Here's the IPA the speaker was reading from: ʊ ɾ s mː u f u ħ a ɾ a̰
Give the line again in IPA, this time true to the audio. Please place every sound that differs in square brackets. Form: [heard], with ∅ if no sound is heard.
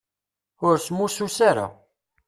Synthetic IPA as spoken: ʊ ɾ s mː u [s] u [s] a ɾ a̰